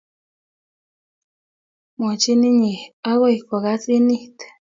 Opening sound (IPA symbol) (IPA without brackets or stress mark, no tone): m